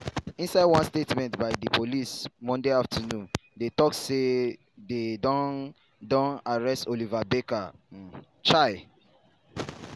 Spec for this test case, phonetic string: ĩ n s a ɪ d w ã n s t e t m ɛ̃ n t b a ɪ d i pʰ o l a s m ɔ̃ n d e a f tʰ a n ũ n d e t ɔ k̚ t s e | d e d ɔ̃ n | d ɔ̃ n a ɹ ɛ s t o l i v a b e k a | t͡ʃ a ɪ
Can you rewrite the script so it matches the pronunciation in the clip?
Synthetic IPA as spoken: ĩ n s a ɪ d w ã n s t e t m ɛ̃ n t b a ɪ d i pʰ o l i s m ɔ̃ n d e a f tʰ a n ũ n d e t ɔ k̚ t s e | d e d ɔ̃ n | d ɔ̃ n a ɹ ɛ s t o l i v a b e k a | t͡ʃ a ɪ